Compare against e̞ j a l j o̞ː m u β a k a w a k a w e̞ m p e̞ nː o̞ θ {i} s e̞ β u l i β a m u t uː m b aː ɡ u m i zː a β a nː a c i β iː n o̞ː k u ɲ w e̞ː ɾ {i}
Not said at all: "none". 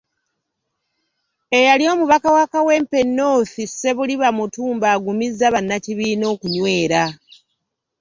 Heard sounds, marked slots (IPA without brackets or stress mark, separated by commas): i, a